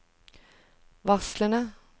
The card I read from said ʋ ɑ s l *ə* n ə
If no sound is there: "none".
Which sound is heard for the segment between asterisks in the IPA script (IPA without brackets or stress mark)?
ə